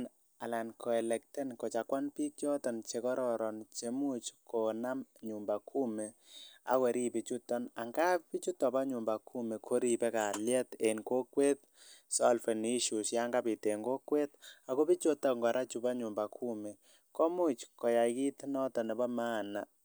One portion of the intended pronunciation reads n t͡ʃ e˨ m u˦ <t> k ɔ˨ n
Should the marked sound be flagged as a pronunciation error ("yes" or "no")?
yes